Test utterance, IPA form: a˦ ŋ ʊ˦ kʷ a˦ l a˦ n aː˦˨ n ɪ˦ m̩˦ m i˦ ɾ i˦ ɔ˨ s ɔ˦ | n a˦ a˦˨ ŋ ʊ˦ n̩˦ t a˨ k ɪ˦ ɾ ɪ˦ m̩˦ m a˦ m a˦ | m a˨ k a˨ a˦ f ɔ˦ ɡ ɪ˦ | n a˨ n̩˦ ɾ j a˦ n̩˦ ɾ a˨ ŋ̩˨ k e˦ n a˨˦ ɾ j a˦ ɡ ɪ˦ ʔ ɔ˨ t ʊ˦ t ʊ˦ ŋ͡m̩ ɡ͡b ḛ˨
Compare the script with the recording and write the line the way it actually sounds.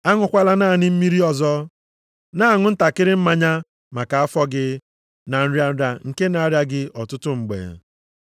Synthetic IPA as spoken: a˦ ŋ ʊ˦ kʷ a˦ l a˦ n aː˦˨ n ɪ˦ m̩˦ m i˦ ɾ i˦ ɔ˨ z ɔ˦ | n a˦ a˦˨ ŋ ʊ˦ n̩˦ t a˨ k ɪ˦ ɾ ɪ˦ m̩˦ m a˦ ɲ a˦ | m a˨ k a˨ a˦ f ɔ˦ ɡ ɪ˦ | n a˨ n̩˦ ɾ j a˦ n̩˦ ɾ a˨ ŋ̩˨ k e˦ n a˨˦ ɾ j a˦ ɡ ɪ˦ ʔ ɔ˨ t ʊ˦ t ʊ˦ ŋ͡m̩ ɡ͡b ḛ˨

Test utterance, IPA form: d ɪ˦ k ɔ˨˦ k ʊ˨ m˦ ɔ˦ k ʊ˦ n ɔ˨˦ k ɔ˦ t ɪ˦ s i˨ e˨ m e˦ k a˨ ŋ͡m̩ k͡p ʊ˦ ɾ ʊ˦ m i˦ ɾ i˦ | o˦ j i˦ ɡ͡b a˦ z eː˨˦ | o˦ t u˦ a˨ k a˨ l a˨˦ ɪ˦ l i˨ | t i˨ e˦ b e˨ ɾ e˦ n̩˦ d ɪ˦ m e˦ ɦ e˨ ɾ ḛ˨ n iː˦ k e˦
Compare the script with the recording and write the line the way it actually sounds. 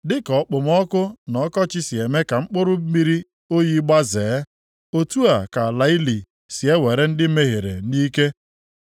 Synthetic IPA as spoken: d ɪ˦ k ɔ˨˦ k͡p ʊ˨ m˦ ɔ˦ k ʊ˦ n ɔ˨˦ k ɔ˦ t͡ʃ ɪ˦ s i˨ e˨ m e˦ k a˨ ŋ͡m̩ k͡p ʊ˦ ɾ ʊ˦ m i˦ ɾ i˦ | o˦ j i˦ ɡ͡b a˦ z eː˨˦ | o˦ t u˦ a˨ k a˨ l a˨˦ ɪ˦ l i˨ | s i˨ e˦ w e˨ ɾ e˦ n̩˦ d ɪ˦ m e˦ ɦ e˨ ɾ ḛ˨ n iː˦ k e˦

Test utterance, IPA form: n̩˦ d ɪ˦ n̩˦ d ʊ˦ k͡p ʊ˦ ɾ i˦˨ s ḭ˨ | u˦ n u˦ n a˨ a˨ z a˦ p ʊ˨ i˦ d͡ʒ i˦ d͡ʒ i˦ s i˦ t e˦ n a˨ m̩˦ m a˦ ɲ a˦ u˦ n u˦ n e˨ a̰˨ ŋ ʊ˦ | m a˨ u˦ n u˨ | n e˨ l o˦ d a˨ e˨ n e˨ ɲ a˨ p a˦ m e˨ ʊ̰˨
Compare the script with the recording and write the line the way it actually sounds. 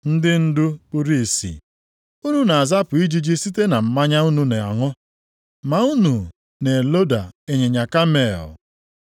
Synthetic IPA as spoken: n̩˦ d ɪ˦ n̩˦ d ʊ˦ k͡p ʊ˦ ɾ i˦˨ s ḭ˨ | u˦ n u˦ n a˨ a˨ z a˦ p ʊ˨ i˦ d͡ʒ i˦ d͡ʒ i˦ s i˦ t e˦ n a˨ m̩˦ m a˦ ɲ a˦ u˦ n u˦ n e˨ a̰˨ ŋ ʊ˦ | m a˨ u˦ n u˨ | n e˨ l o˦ d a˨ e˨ ɲ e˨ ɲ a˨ k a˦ m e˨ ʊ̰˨

